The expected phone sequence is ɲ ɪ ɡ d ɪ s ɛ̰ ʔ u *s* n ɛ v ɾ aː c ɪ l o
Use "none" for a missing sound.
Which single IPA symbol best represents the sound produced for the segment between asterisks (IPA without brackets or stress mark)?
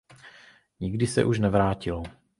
ʃ